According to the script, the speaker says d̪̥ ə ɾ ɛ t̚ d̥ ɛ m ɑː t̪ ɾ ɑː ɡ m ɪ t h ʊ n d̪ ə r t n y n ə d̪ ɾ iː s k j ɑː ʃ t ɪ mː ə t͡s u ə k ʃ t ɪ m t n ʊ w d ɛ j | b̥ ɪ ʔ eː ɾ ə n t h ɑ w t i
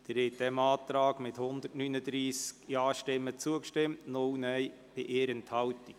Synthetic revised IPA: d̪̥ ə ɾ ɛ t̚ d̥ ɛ m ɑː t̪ ɾ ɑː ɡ m ɪ t h ʊ n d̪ ə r t n y n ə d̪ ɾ iː s k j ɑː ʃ t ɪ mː ə t͡s u ə k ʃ t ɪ m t n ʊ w n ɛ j | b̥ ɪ ʔ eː ɾ ə n t h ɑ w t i